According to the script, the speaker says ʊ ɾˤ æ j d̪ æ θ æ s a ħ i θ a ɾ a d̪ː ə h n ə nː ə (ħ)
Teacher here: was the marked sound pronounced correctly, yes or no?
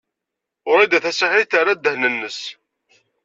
no